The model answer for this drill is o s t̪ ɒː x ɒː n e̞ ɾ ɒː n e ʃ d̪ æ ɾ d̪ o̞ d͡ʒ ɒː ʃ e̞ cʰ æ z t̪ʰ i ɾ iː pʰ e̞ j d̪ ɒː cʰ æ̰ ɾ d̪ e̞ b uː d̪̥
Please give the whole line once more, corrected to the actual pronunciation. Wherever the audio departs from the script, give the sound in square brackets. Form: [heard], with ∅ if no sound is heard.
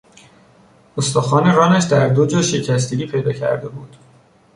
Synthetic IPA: o s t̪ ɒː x ɒː n e̞ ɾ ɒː n [æ] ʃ d̪ æ ɾ d̪ o̞ d͡ʒ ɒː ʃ e̞ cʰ æ [s] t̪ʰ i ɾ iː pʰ e̞ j d̪ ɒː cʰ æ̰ ɾ d̪ e̞ b uː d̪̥